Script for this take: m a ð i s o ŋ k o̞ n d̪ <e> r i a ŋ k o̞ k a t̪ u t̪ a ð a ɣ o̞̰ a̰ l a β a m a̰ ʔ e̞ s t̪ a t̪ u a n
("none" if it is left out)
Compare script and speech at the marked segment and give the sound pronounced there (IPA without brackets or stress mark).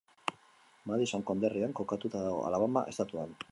e